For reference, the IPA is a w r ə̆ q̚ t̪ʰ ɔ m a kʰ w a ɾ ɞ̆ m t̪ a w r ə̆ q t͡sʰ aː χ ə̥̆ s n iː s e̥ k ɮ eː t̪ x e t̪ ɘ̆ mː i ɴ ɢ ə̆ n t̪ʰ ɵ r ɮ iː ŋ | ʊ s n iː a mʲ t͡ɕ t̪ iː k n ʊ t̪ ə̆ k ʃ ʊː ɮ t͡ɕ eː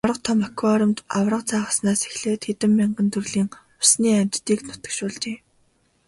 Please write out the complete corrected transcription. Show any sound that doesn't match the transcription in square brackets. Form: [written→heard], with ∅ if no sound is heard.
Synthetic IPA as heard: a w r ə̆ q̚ t̪ʰ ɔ m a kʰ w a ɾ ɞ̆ m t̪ a w r ə̆ q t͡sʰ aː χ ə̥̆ s n [iː→aː] s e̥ [k→x] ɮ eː t̪ x e t̪ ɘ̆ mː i ɴ ɢ ə̆ n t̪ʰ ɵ r ɮ iː ŋ | ʊ s n iː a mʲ t͡ɕ t̪ iː k n ʊ t̪ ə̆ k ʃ ʊː ɮ t͡ɕ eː